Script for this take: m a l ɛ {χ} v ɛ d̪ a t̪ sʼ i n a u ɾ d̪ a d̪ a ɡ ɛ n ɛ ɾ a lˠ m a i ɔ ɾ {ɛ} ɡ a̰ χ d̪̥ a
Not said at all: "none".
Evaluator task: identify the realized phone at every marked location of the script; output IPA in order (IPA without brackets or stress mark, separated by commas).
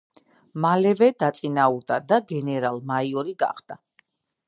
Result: none, i